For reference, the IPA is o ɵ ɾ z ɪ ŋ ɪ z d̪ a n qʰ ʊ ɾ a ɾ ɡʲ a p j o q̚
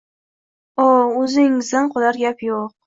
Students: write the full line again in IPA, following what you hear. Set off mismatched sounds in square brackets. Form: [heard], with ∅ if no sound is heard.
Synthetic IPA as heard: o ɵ [∅] z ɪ ŋ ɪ z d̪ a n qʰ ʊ [l] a ɾ ɡʲ a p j o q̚